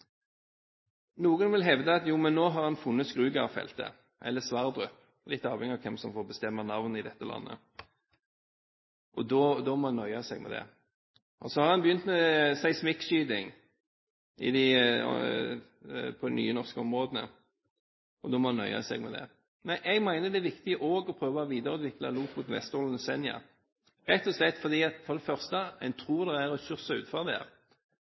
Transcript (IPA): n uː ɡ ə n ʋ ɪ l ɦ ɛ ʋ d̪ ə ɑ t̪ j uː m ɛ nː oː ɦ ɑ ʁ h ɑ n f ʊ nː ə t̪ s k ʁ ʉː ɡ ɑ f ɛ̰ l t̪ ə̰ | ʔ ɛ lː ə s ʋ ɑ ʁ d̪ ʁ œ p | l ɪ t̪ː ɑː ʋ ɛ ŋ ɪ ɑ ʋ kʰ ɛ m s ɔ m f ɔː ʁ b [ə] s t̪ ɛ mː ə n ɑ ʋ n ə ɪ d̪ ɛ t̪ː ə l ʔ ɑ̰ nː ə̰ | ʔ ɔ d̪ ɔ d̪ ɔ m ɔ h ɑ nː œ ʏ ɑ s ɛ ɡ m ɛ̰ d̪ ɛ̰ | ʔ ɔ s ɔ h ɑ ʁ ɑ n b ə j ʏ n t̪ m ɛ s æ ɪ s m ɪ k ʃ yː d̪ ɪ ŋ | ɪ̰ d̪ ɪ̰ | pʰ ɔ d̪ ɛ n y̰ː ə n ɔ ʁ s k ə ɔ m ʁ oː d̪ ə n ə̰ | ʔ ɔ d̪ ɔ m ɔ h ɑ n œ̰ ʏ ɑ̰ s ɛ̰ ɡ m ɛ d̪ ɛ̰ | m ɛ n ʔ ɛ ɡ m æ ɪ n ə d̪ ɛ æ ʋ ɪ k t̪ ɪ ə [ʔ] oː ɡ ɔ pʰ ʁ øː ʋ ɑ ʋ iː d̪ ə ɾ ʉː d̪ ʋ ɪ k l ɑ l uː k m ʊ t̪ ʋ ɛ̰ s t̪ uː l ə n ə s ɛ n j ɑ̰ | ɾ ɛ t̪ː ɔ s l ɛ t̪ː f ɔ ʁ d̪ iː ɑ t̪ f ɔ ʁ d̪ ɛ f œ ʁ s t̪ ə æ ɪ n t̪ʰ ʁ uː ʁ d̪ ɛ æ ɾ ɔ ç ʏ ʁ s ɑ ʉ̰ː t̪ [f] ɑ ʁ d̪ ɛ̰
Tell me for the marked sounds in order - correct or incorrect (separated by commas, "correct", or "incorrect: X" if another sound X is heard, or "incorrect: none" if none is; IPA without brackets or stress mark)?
correct, correct, correct